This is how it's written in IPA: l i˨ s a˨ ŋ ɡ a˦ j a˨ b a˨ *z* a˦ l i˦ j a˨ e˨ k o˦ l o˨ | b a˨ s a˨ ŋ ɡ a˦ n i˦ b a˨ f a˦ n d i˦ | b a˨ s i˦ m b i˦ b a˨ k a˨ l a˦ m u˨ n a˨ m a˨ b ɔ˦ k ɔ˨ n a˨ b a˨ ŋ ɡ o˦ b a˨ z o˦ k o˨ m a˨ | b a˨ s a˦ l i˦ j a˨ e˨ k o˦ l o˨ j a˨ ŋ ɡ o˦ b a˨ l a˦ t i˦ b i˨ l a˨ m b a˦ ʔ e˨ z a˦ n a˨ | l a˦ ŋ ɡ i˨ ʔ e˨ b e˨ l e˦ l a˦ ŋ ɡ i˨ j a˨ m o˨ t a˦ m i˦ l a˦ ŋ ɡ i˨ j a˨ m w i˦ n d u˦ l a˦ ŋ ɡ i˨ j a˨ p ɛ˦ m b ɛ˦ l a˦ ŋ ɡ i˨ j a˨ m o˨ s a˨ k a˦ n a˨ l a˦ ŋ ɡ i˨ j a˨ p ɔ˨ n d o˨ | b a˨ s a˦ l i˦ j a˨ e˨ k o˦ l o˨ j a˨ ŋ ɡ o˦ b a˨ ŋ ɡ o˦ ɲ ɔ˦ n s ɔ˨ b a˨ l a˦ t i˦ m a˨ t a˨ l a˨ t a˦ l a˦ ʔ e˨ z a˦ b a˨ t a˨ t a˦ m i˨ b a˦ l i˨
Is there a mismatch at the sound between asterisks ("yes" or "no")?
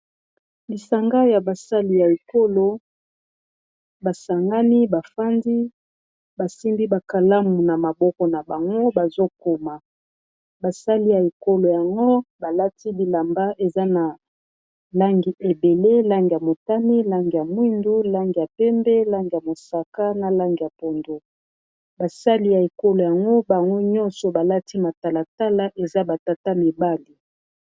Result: yes